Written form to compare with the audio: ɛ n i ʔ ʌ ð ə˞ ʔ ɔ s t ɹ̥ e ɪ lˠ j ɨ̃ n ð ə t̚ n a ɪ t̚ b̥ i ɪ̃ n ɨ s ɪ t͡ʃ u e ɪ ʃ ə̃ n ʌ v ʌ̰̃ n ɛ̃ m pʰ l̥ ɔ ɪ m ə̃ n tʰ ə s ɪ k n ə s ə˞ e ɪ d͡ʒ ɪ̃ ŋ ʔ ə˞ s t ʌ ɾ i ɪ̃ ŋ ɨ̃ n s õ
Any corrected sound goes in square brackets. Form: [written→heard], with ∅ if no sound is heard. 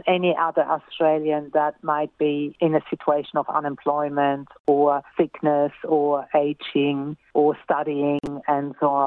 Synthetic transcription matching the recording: ɛ n i ʔ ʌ ð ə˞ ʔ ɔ s t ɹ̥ e ɪ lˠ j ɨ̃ n ð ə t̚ [n→m] a ɪ t̚ b̥ i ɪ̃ n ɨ s ɪ t͡ʃ u e ɪ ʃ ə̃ n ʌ v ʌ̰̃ n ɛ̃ m pʰ l̥ ɔ ɪ m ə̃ n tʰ ə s ɪ k n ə s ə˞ e ɪ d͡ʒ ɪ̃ ŋ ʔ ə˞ s t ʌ ɾ i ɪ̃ ŋ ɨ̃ n s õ